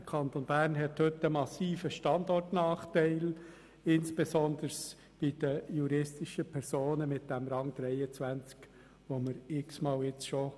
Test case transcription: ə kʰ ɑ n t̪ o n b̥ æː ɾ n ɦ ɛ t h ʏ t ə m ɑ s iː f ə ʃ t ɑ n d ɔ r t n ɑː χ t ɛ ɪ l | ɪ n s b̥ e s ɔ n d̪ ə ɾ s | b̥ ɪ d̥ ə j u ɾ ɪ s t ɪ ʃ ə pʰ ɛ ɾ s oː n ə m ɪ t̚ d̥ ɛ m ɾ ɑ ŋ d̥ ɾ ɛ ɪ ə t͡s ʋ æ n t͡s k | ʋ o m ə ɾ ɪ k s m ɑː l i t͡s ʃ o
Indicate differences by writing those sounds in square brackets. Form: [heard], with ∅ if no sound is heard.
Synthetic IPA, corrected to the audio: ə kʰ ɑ n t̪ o n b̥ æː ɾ n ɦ ɛ t h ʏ t ə m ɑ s iː f ə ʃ t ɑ n d ɔ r t n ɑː χ t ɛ ɪ l | ɪ n s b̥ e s ɔ n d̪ ə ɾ s | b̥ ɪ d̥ ə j u ɾ ɪ s t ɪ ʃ ə pʰ ɛ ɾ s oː n ə m ɪ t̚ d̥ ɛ m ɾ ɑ ŋ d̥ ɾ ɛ ɪ ə t͡s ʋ æ n t͡s k | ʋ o m ə ɾ ɪ k s m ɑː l [ɪ] t͡s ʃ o